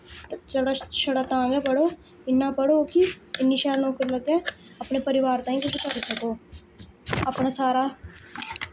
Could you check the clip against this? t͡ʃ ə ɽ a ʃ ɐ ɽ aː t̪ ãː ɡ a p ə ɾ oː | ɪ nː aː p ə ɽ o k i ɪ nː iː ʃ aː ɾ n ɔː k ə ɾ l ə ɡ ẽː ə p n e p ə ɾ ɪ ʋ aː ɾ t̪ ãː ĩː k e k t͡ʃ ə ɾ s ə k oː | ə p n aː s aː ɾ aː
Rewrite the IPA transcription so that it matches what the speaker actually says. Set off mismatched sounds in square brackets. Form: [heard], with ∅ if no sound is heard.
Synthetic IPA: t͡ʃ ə ɽ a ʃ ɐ ɽ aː t̪ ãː ɡ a p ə [ɽ] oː | ɪ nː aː p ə ɽ o k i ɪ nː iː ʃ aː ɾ n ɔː k ə ɾ l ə ɡ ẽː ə p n e p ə ɾ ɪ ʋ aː ɾ t̪ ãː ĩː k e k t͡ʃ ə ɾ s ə k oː | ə p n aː s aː ɾ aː